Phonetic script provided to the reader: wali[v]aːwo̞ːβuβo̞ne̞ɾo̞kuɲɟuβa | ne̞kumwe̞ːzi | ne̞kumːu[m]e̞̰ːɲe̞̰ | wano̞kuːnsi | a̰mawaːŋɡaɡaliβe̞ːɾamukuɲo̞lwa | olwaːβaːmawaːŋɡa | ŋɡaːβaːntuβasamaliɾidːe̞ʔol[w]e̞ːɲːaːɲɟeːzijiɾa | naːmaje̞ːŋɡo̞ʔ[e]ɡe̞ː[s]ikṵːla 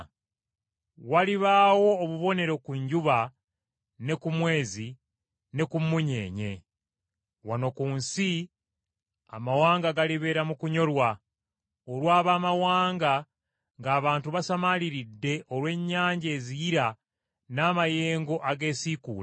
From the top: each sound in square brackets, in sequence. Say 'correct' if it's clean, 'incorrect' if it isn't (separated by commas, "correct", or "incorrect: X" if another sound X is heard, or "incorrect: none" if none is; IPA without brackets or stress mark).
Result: incorrect: β, incorrect: ɲ, correct, incorrect: a, correct